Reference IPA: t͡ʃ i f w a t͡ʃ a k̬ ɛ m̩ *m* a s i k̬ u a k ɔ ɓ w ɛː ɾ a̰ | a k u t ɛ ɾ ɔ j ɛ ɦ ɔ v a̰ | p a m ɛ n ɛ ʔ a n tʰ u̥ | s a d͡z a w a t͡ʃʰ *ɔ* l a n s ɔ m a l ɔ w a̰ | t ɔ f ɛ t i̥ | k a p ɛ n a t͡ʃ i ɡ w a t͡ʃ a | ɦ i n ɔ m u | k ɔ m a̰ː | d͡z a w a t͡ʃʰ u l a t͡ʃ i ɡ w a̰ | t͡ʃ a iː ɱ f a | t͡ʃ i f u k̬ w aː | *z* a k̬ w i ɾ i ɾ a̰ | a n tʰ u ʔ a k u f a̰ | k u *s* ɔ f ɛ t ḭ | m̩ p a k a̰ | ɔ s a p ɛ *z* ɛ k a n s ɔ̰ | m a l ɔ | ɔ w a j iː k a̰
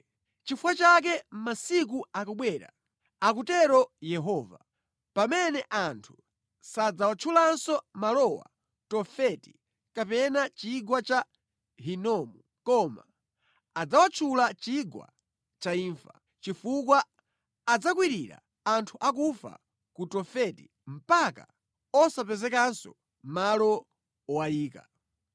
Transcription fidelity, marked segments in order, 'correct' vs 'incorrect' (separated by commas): correct, incorrect, incorrect, incorrect, correct